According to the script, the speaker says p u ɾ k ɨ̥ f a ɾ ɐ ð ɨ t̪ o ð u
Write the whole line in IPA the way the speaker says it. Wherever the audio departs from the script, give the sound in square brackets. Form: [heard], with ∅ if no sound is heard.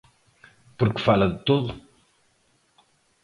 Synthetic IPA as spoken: p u ɾ k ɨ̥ f a [l] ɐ ð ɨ t̪ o ð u